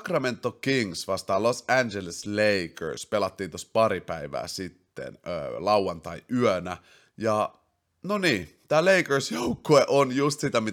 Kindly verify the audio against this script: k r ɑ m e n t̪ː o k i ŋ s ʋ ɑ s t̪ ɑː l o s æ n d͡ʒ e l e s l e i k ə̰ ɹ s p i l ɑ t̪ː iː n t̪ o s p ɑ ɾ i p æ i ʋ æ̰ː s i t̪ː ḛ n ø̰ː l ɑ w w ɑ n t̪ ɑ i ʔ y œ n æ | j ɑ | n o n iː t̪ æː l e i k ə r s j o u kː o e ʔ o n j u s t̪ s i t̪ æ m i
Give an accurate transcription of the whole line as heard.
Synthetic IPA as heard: k r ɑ m e n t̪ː o k i ŋ s ʋ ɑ s t̪ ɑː l o s æ n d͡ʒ e l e s l e i k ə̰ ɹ s p e l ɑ t̪ː iː n t̪ o s p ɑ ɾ i p æ i ʋ æ̰ː s i t̪ː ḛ n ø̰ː l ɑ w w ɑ n t̪ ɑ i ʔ y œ n æ | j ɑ | n o n iː t̪ æː l e i k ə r s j o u kː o e ʔ o n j u s t̪ s i t̪ æ m i